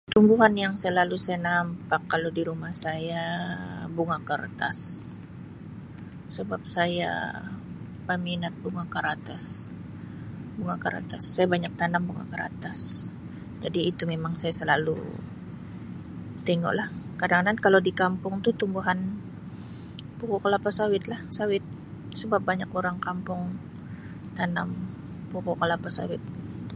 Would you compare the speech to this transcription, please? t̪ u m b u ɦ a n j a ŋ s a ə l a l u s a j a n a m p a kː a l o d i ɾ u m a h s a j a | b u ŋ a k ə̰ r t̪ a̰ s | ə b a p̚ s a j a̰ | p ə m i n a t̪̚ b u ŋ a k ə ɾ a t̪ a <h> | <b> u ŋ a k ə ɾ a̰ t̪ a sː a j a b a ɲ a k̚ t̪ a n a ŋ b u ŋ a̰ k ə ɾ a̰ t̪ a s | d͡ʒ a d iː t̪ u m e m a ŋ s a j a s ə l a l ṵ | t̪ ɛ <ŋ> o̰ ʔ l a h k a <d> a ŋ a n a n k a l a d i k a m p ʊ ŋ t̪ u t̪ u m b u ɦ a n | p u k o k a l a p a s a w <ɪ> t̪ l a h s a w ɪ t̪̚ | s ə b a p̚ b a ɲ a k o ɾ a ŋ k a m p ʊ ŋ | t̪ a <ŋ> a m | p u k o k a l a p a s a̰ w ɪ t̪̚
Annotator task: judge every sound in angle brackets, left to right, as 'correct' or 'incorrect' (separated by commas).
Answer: incorrect, correct, correct, correct, correct, incorrect